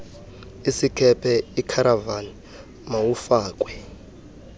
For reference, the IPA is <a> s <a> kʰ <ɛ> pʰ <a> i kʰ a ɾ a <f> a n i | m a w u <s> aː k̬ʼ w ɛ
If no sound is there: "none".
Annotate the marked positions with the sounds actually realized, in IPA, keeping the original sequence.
i, i, ɛ, ɛ, v, f

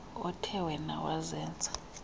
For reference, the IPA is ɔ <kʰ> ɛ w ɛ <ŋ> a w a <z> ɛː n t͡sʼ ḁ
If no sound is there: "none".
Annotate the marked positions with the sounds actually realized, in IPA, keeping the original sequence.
tʰ, n, z

